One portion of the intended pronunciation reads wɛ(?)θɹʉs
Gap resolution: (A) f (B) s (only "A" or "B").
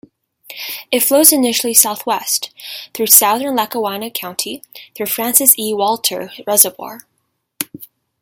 B